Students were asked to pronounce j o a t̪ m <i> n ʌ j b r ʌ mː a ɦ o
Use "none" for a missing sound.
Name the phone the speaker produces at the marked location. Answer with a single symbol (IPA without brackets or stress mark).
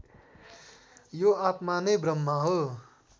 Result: a